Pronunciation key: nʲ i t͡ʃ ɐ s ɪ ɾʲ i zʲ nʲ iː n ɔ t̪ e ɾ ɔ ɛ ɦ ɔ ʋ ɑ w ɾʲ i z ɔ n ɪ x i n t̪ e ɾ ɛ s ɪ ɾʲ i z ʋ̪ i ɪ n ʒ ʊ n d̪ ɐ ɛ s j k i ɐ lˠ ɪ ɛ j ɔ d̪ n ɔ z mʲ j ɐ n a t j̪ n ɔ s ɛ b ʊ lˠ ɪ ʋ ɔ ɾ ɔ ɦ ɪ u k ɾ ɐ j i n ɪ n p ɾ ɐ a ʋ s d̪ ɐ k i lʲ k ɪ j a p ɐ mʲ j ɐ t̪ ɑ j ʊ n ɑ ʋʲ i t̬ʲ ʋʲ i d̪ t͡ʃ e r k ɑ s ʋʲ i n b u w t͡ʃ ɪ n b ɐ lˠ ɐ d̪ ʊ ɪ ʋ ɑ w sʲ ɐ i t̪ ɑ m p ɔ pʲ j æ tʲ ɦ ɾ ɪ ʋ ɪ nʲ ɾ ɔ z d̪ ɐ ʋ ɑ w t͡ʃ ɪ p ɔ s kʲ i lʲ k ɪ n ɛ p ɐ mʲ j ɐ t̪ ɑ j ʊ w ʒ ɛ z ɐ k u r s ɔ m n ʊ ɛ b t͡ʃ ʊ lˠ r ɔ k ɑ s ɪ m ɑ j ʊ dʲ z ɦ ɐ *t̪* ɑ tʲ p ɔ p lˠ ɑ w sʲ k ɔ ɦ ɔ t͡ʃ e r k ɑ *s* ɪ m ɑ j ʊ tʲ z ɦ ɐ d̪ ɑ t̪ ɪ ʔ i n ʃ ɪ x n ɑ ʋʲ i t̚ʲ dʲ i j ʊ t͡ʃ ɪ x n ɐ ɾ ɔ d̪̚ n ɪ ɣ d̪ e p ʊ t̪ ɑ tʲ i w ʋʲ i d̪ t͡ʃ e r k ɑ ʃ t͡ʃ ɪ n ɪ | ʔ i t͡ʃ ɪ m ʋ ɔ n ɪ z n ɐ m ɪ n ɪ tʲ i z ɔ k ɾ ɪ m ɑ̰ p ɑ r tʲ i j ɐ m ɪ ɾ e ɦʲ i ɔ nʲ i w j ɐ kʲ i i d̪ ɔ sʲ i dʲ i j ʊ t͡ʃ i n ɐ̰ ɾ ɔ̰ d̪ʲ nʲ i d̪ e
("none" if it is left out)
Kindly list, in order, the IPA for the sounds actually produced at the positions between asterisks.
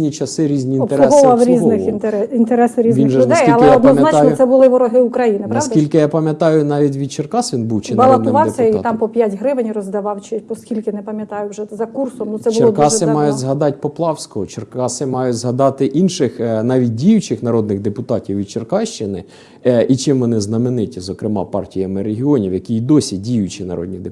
d̪, s

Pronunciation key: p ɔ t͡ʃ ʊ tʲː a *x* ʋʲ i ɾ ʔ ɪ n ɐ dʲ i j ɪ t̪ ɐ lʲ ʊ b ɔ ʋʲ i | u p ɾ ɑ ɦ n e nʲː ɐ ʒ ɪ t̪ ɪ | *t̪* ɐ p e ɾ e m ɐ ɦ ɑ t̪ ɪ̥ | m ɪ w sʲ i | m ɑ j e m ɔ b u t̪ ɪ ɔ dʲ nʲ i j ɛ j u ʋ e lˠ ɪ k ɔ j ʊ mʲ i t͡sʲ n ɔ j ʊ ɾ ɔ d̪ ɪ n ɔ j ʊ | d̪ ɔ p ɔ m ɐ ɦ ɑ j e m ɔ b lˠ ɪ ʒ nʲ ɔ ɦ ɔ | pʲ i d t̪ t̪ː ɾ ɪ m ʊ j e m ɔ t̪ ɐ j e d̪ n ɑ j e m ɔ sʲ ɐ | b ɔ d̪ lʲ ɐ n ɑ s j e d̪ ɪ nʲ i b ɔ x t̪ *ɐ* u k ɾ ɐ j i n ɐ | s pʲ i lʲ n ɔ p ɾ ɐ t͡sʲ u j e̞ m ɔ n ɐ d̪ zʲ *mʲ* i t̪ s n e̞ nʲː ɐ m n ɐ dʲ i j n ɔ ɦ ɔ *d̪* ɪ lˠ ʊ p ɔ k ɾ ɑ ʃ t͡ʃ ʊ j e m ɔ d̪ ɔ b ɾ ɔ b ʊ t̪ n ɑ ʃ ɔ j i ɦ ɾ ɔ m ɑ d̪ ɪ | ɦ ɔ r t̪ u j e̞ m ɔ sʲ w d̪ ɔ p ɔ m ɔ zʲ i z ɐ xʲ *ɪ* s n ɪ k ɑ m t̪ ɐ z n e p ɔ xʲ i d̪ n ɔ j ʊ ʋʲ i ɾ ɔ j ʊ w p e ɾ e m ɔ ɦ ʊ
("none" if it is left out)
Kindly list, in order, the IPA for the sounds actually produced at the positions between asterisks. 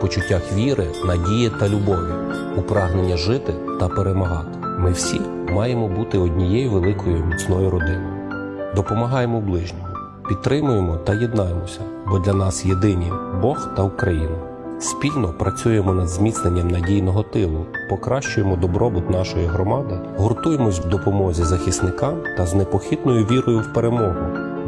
x, t̪, ɐ, mʲ, t̪, i

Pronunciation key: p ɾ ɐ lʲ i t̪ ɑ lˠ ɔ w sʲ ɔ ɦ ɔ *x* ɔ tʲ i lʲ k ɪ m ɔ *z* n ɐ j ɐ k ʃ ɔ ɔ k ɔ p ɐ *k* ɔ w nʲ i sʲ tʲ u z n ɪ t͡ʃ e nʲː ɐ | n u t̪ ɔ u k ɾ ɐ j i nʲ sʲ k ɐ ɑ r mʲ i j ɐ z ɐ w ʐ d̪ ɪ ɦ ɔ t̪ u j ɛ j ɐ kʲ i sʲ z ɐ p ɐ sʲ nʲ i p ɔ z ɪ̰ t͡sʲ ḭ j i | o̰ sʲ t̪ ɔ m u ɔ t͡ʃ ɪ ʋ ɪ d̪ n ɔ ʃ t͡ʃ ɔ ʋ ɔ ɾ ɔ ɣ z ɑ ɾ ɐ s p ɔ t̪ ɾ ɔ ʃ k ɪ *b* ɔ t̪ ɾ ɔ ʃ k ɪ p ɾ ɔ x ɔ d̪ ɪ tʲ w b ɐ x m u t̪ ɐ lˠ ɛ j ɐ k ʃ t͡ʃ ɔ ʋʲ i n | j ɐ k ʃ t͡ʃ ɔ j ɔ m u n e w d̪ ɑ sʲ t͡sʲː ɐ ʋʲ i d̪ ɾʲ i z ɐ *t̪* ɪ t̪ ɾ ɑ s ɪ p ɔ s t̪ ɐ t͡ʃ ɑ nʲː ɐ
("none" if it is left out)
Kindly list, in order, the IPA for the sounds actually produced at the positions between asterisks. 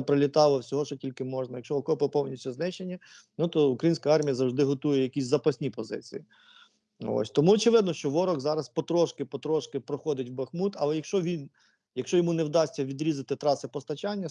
ʃ, ʒ, p, p, t̪

